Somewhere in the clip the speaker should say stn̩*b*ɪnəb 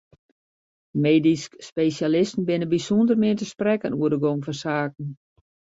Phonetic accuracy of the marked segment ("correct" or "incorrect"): correct